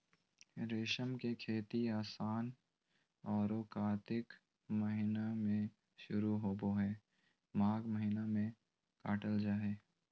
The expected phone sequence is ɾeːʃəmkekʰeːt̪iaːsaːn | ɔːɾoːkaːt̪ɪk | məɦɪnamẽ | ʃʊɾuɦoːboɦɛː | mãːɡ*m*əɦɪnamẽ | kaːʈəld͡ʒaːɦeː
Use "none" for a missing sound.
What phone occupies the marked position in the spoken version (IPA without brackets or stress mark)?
m